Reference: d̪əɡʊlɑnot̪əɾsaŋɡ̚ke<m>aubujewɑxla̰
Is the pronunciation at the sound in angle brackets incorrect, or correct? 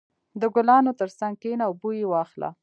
incorrect